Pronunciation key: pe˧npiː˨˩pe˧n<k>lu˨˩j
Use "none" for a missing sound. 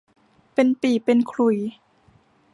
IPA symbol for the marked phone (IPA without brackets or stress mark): kʰ